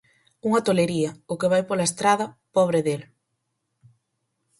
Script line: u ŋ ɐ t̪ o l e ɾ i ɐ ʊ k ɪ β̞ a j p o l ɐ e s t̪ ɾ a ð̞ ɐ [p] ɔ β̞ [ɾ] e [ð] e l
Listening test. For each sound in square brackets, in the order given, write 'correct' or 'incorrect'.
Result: correct, correct, correct

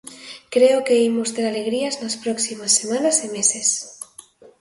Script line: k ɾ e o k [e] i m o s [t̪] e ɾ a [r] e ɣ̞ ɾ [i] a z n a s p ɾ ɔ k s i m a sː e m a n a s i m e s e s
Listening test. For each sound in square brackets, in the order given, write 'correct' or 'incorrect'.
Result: correct, correct, incorrect, correct

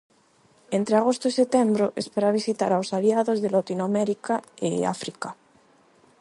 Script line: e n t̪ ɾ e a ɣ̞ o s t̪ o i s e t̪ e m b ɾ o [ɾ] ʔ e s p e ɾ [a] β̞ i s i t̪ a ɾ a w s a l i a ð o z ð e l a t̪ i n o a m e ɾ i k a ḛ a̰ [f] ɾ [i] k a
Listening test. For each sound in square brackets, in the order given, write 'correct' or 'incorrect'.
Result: incorrect, correct, correct, correct

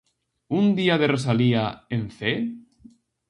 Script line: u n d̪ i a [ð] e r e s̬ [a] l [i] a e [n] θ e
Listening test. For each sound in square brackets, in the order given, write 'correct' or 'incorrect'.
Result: correct, correct, correct, correct

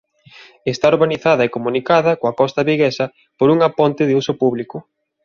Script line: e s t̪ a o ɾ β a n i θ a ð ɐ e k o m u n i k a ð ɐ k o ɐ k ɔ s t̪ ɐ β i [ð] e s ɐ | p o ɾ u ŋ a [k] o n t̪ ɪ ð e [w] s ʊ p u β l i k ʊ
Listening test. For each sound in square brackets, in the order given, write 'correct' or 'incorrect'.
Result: incorrect, incorrect, incorrect

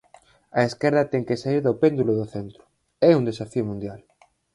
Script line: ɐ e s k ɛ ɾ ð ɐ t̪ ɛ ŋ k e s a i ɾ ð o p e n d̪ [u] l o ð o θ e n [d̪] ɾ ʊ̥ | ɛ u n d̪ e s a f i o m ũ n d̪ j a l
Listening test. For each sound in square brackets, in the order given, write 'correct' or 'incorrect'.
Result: correct, incorrect

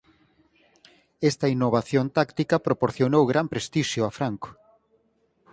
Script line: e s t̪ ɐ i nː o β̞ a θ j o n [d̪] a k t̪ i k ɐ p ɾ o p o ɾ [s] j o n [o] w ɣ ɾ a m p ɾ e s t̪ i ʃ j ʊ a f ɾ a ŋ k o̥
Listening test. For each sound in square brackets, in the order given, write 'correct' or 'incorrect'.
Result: incorrect, incorrect, correct

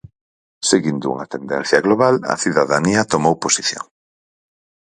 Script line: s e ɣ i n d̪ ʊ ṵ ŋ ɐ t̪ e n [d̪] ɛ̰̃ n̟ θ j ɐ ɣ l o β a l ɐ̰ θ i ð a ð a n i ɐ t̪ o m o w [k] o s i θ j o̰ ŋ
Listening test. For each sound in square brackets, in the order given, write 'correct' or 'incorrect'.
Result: correct, incorrect

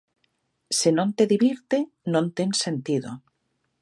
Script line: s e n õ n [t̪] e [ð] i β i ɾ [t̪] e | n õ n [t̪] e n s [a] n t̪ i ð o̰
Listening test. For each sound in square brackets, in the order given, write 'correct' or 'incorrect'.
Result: correct, correct, correct, correct, incorrect

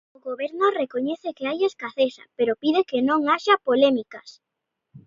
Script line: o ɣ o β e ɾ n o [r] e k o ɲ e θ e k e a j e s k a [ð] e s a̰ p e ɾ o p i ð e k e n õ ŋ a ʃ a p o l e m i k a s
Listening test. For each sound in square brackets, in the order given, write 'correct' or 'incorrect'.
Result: correct, incorrect

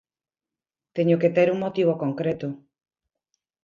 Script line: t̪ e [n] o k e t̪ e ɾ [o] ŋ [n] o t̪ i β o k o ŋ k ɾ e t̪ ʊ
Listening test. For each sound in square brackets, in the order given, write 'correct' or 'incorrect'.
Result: incorrect, incorrect, incorrect

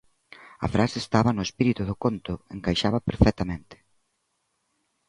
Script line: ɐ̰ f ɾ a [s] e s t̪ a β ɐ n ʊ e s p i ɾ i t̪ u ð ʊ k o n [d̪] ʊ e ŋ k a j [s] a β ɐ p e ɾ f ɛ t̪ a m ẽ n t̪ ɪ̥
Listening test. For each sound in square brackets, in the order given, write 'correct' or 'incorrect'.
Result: correct, incorrect, incorrect

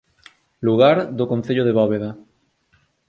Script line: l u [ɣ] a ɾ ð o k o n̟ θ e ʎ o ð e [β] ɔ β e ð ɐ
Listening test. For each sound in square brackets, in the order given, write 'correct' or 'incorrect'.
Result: correct, correct

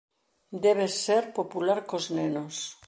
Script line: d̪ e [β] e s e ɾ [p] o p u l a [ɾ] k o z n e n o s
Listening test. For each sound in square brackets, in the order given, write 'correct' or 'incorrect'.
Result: correct, correct, correct

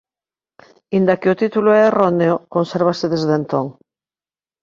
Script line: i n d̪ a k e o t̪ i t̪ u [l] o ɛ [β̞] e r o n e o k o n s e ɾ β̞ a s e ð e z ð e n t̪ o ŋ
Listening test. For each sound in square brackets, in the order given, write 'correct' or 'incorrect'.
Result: correct, incorrect

